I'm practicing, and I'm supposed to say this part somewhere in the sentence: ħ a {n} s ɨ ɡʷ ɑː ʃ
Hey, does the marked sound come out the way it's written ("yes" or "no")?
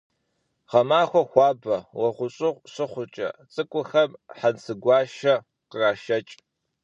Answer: yes